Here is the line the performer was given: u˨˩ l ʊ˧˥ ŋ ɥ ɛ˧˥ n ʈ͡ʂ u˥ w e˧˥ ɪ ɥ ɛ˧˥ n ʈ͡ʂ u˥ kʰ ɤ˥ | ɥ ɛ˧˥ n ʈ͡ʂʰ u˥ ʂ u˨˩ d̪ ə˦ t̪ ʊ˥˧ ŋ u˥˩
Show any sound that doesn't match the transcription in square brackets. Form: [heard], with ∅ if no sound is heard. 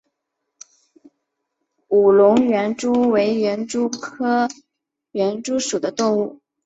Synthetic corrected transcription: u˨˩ l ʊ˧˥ ŋ ɥ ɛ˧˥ n ʈ͡ʂ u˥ w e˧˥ ɪ ɥ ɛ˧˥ n ʈ͡ʂ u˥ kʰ ɤ˥ | ɥ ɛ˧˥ n [ʈ͡ʂ] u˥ ʂ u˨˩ d̪ ə˦ t̪ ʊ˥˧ ŋ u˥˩